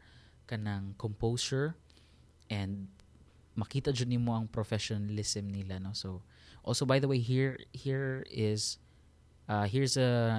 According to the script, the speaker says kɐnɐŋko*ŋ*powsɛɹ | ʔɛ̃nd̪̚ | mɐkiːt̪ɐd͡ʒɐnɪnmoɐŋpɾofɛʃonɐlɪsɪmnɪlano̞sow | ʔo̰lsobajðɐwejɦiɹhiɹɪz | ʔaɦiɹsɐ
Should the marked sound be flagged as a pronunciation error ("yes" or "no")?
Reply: yes